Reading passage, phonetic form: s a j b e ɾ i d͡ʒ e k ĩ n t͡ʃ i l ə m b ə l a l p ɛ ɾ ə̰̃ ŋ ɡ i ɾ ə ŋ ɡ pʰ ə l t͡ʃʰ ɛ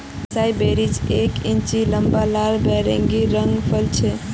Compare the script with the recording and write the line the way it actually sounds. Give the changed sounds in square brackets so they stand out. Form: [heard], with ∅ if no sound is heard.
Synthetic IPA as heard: s a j b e ɾ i d͡ʒ e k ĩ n t͡ʃ i l ə m b [a] l a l [b] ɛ ɾ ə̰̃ ŋ ɡ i ɾ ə ŋ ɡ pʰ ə l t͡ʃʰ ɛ